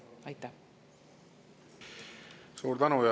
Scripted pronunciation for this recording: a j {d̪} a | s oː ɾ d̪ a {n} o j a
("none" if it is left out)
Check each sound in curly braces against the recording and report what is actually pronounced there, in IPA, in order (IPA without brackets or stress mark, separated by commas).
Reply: t̪, n